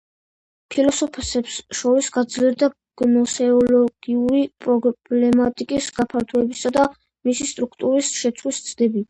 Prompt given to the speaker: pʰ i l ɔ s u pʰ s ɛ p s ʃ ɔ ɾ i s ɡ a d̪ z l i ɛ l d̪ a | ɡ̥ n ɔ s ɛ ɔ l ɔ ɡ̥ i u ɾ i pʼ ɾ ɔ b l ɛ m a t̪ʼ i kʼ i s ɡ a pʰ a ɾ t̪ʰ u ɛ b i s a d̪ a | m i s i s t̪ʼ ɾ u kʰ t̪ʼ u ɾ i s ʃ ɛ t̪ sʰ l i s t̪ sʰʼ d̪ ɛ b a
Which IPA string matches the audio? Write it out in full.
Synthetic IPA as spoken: pʰ i l ɔ s ɔ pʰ s ɛ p s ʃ ɔ ɾ i s ɡ a d̪ z l i ɛ ɾ d̪ a | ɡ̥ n ɔ s ɛ ɔ l ɔ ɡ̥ i u ɾ i pʼ ɾ ɔ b l ɛ m a t̪ʼ i kʼ i s ɡ a pʰ a ɾ t̪ʰ u ɛ b i s a d̪ a | m i s i s t̪ʼ ɾ u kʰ t̪ʼ u ɾ i s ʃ ɛ t̪ sʰ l i s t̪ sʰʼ d̪ ɛ b i